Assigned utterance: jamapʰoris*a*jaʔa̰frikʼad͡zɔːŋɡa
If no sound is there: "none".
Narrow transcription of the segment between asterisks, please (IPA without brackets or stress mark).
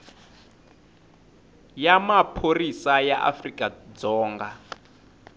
a